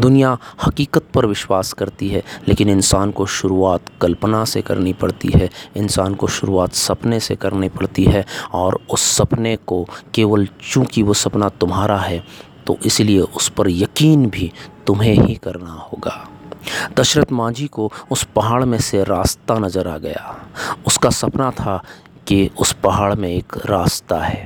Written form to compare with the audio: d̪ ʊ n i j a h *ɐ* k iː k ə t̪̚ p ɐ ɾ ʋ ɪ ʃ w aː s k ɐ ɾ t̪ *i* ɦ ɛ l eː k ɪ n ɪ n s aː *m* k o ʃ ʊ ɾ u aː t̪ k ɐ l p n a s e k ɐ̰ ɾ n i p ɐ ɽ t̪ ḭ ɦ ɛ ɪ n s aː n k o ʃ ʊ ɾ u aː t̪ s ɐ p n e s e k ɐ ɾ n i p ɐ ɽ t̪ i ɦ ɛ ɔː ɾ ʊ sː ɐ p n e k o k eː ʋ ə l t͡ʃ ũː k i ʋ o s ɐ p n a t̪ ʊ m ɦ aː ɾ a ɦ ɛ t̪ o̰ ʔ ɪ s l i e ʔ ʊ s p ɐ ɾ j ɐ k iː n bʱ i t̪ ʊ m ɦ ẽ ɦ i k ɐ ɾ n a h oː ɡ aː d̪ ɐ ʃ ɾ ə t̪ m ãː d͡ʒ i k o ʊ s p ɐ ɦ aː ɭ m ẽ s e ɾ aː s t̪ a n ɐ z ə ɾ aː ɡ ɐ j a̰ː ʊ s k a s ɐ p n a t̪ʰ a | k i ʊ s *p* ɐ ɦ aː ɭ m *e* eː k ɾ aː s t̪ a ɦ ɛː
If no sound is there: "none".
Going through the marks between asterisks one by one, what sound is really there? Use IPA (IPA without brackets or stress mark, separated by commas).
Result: ɐ, i, n, p, ẽ